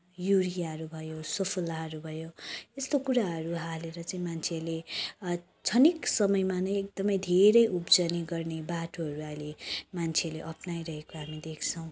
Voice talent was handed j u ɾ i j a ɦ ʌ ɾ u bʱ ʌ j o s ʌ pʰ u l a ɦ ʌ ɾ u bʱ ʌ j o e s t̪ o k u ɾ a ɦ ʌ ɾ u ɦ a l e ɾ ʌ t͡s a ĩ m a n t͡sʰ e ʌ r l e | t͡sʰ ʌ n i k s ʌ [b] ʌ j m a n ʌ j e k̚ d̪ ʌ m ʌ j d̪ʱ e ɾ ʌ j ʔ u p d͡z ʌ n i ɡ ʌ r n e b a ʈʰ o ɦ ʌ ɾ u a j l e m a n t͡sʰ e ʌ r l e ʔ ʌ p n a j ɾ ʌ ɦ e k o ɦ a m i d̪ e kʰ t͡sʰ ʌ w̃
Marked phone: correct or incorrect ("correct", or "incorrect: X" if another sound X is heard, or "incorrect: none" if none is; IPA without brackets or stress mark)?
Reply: incorrect: m